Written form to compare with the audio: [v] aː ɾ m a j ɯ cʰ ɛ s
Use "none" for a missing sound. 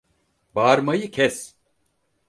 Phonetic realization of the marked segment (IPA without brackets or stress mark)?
b